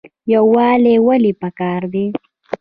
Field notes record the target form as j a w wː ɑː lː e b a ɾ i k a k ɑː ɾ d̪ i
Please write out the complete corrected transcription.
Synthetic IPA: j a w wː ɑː l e w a l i p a k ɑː ɾ d̪ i

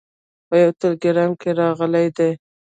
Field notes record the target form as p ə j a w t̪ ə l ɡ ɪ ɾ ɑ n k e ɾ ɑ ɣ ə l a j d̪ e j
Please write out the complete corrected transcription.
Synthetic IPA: p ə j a w t̪ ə l ɡ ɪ ɾ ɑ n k e ɾ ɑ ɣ ə l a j d̪ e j

